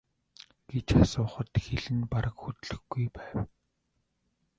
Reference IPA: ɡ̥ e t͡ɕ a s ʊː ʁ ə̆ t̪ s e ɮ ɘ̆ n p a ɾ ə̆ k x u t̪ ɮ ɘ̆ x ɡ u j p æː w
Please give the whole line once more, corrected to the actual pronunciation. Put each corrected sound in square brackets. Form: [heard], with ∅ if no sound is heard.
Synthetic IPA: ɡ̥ e t͡ɕ a s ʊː [χ] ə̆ t̪ [x] e ɮ ɘ̆ n p a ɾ ə̆ k x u t̪ ɮ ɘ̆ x ɡ u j p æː w